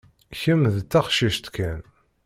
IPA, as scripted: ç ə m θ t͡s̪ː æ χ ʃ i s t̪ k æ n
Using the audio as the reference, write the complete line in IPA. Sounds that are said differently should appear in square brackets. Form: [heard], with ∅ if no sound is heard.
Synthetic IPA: ç ə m [ð] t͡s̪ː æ χ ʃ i [ʃ] t̪ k æ n